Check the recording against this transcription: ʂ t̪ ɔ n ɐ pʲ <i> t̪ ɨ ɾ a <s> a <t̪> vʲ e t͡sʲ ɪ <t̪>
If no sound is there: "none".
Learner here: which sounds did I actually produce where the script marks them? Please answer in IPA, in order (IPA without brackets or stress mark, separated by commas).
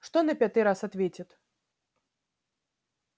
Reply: a, s, t̪, t̪